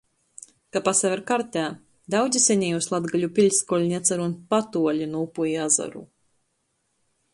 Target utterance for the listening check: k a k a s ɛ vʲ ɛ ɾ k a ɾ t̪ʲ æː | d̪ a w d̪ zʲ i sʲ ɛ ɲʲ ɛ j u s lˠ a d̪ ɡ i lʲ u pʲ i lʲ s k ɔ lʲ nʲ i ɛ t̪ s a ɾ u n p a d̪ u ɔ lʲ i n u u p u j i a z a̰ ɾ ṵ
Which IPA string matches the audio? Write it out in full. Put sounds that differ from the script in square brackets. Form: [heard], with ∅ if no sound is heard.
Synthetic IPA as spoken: k a [p] a s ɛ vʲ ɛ ɾ k a ɾ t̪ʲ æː | d̪ a w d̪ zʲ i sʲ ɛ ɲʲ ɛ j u s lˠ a d̪ ɡ [a] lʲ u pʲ i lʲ s k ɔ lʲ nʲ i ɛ t̪ s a ɾ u n p a [t̪] u ɔ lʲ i n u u p u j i a z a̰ ɾ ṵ